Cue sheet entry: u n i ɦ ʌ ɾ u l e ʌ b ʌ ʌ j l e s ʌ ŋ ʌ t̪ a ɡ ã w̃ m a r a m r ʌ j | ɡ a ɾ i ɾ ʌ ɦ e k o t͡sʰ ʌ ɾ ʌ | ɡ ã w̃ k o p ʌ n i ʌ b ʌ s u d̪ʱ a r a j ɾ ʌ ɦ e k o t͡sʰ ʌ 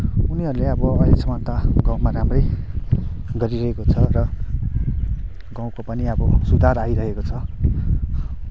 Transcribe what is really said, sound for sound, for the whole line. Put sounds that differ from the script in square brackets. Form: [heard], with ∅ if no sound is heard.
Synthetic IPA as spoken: u n i ɦ ʌ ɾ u l e ʌ b ʌ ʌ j l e s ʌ [m] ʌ t̪ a ɡ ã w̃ m a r a m r ʌ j | ɡ [ʌ] ɾ i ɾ ʌ ɦ e k o t͡sʰ ʌ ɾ ʌ | ɡ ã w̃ k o p ʌ n i ʌ b ʌ s u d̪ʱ a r a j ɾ ʌ ɦ e k o t͡sʰ ʌ